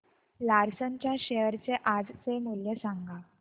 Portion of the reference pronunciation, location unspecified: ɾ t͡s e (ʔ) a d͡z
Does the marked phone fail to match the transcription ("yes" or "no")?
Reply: no